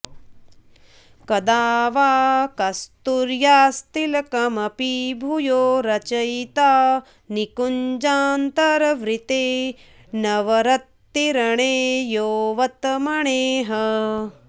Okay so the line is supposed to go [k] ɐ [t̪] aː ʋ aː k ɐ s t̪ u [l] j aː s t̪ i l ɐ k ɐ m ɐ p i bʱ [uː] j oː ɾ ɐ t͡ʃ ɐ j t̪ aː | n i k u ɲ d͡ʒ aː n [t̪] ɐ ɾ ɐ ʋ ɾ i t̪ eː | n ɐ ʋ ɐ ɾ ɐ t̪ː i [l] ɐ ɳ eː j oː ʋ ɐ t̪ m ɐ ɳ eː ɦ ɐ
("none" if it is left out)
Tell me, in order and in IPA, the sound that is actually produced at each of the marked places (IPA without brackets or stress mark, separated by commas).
k, d̪, ɾ, u, t̪, ɾ